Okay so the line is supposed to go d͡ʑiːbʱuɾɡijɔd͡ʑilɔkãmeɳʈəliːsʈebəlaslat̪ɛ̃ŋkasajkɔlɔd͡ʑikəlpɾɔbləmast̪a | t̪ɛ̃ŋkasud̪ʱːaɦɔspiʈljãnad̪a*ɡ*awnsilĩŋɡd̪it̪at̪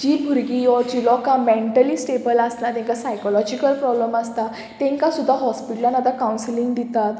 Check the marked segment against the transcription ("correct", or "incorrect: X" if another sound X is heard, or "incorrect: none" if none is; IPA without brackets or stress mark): incorrect: k